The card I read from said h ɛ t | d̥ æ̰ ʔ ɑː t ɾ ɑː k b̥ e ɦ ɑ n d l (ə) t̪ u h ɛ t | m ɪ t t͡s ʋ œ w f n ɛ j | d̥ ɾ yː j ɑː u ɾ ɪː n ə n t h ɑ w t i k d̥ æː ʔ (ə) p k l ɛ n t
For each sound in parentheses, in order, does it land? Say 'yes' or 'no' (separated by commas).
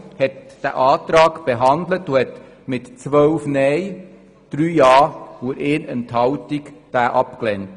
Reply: yes, no